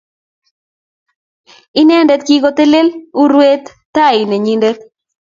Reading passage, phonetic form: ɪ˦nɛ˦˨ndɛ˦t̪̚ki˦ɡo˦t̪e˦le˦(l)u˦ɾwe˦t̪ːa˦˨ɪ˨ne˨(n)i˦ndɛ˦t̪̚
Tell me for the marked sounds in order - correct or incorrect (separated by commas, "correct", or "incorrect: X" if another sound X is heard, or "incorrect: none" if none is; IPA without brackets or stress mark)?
correct, incorrect: ɲ